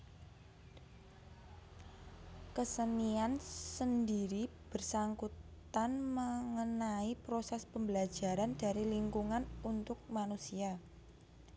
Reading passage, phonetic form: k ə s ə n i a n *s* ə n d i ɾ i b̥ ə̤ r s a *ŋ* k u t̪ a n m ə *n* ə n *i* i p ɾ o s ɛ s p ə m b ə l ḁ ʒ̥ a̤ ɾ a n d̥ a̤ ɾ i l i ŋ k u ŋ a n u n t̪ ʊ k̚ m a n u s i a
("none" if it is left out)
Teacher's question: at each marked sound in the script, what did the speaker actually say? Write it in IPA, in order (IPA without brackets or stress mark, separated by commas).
s, ŋ, ŋ, a